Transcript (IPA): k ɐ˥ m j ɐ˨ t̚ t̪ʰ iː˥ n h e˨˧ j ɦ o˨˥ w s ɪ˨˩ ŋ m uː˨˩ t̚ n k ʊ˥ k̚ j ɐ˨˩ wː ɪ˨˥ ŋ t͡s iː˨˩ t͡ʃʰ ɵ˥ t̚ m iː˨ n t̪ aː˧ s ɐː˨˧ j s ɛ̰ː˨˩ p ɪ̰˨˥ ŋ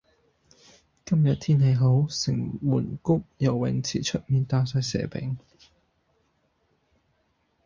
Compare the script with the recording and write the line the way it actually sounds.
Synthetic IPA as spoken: k ɐ˥ m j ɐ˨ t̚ t̪ʰ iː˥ n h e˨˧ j ɦ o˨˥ w s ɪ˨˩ ŋ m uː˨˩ n k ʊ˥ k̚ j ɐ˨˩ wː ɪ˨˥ ŋ t͡sʰ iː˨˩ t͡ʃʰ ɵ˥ t̚ m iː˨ n t̪ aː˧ s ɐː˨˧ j s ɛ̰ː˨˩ p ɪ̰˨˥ ŋ